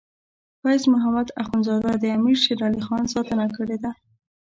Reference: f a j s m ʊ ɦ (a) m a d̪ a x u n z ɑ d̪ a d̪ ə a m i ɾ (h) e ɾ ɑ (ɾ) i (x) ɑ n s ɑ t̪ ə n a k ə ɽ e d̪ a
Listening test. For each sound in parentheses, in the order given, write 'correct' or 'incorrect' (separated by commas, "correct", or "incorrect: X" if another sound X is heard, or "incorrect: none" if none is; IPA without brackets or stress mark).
correct, incorrect: ʃ, incorrect: l, correct